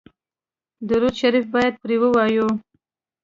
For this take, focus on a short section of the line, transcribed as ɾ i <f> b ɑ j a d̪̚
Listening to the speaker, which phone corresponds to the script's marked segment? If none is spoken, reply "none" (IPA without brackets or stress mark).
f